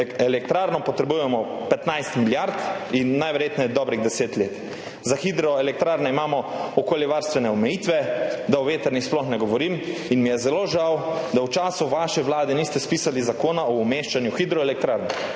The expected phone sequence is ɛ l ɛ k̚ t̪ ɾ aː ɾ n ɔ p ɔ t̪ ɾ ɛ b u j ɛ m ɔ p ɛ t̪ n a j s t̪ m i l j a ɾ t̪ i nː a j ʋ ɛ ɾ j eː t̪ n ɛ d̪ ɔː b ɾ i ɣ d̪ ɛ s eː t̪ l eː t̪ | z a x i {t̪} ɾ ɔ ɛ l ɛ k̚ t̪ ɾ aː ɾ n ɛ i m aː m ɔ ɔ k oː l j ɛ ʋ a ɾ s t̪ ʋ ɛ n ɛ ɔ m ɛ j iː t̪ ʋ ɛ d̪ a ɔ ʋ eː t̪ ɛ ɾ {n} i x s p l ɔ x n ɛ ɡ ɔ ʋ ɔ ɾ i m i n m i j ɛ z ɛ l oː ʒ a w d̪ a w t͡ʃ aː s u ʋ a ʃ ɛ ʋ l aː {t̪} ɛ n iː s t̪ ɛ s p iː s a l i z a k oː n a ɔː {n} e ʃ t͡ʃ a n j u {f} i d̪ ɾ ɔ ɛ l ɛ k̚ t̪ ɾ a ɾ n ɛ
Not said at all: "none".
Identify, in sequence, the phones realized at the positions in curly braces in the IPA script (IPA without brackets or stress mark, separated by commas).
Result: d̪, n, d̪, m, x